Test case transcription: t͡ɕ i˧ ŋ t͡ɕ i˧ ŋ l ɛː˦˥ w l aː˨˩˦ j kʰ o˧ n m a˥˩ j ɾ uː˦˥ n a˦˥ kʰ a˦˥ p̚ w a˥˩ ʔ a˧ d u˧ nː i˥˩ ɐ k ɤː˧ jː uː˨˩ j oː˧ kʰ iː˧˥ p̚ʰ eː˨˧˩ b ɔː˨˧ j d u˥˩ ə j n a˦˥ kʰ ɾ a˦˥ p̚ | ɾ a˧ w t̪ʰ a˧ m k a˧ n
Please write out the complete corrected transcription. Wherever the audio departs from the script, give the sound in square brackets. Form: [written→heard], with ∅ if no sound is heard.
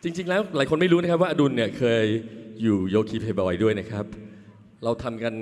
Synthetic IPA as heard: t͡ɕ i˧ ŋ t͡ɕ i˧ ŋ l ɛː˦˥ w l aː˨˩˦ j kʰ o˧ n m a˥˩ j ɾ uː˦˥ n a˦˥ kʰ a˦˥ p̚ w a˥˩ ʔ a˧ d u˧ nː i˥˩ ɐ [k→kʰ] ɤː˧ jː uː˨˩ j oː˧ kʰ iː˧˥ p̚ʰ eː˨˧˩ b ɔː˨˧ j d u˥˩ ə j n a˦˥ kʰ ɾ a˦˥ p̚ | ɾ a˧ w t̪ʰ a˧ m k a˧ n